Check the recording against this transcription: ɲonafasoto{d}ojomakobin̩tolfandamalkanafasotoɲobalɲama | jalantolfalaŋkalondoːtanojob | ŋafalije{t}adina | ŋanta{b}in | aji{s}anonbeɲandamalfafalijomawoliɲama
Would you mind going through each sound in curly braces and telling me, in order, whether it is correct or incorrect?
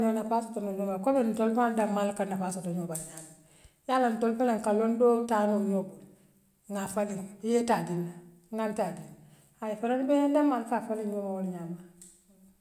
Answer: incorrect, correct, incorrect, incorrect

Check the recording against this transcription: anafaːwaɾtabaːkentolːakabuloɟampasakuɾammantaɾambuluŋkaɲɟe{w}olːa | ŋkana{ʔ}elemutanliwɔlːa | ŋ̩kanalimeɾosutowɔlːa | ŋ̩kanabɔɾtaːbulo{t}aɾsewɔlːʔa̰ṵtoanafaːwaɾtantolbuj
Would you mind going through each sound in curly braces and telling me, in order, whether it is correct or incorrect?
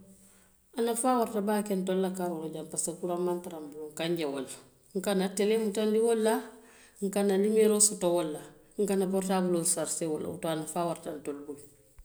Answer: correct, incorrect, incorrect

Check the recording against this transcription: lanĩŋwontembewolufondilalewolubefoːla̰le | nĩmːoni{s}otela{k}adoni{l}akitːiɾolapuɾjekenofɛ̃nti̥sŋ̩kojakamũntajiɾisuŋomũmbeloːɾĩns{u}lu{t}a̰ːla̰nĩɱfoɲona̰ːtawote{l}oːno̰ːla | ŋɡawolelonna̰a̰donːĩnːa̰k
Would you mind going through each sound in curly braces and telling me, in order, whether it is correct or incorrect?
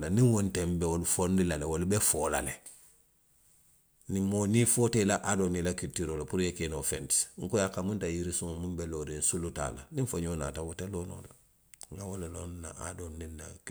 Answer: incorrect, incorrect, correct, correct, correct, correct

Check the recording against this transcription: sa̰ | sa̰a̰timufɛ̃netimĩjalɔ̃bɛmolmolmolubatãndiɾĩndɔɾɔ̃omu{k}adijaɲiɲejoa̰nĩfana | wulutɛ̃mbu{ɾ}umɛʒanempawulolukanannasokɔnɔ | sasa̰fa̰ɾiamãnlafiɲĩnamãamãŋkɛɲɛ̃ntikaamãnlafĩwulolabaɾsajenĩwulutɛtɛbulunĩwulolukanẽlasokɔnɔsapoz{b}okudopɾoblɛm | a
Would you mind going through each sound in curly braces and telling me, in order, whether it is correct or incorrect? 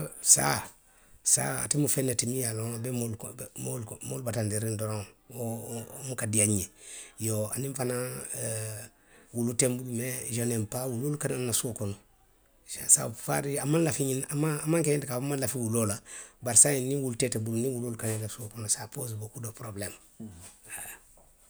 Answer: correct, incorrect, correct

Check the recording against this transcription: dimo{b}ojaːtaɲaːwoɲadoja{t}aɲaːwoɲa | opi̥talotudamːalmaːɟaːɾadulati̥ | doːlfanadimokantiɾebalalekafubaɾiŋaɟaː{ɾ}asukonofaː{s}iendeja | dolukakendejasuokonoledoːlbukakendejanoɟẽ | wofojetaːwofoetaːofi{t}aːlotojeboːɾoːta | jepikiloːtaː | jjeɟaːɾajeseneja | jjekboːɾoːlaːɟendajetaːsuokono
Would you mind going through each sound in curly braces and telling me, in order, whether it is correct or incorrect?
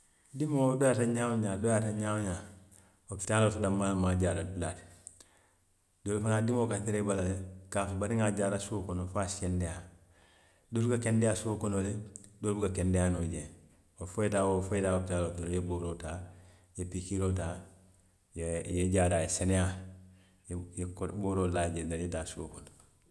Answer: incorrect, correct, correct, correct, correct

